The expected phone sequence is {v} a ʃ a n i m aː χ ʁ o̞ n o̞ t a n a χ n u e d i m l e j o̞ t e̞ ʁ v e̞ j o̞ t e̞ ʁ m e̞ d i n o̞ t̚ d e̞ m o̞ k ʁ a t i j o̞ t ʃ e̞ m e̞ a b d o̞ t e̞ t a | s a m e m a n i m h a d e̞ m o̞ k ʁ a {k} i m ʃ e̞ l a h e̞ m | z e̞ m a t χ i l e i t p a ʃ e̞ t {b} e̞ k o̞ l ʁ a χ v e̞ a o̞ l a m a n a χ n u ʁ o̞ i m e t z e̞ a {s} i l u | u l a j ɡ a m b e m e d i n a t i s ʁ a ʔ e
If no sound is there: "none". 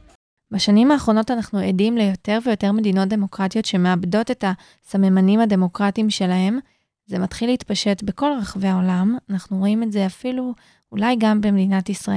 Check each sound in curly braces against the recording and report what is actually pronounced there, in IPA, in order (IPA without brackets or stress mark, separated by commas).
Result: b, t, b, f